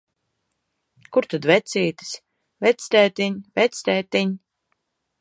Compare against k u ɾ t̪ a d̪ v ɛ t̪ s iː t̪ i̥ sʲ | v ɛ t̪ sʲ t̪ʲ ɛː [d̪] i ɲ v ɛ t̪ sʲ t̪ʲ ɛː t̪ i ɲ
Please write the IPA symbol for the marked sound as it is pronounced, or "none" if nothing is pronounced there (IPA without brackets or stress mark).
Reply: t̪